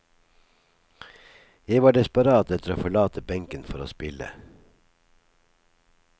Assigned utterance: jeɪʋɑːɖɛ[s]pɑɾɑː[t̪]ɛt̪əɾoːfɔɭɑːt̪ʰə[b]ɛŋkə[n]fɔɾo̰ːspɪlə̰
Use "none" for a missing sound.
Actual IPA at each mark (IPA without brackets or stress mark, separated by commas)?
s, t̪, b, n